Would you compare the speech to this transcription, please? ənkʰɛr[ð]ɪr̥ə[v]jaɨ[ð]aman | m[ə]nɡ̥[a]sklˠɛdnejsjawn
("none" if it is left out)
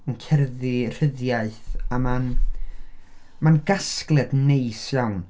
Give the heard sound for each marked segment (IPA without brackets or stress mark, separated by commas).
ð, ð, θ, a, a